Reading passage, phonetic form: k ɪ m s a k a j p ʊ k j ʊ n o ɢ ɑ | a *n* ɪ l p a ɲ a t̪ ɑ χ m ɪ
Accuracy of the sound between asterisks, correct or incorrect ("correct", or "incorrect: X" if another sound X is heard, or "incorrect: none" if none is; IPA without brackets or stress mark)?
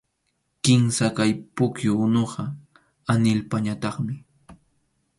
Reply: correct